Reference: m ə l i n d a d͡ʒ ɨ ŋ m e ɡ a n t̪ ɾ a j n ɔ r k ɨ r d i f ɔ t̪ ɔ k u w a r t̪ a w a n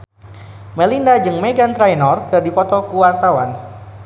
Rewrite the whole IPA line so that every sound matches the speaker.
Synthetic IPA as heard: m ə l i n d a d͡ʒ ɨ ŋ m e ɡ a n t̪ ɾ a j n ɔ r k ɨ r d i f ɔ t̪ ɔ k u w a r t̪ a w a n